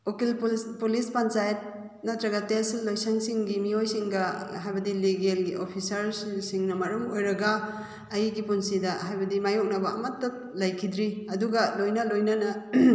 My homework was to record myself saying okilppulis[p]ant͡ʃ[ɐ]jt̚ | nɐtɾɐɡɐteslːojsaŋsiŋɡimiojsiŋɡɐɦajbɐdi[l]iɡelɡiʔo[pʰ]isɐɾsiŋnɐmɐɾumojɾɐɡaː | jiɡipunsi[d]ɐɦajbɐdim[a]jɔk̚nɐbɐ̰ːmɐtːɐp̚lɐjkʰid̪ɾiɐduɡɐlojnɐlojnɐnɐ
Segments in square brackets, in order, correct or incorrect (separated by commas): correct, incorrect, correct, correct, correct, correct